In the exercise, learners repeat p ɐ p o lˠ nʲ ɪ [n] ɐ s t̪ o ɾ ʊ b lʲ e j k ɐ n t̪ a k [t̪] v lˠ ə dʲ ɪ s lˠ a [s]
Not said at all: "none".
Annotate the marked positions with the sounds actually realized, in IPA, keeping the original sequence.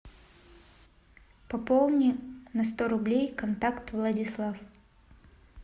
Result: n, t̪, f

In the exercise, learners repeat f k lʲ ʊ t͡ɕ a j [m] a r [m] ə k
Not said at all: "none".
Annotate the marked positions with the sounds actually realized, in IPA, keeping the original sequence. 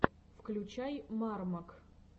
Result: m, m

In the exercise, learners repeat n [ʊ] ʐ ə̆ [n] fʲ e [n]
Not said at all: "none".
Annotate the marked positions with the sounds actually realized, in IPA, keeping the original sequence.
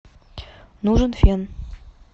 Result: u, n, n

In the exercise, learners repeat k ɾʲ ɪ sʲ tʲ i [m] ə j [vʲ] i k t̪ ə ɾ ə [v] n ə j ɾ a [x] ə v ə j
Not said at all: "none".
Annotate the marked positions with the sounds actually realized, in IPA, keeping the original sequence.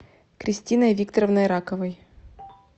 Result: n, vʲ, v, k

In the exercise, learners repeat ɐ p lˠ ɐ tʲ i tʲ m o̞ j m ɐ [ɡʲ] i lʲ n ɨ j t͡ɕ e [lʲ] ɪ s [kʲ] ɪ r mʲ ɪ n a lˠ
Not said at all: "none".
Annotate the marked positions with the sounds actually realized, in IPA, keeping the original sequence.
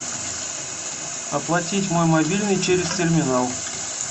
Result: bʲ, ɾʲ, tʲ

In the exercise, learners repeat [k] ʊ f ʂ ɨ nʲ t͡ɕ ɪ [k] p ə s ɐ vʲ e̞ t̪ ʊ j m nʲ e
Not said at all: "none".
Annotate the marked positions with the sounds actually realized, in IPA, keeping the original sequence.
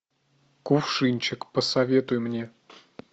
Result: k, k

